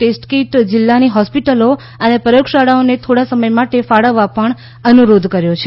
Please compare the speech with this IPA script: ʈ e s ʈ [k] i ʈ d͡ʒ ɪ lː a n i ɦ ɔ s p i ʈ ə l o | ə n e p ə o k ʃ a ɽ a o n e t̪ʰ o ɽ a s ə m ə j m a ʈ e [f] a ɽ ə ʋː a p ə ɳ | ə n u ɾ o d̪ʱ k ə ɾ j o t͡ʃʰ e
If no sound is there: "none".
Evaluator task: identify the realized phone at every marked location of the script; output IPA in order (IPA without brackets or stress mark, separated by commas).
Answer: k, f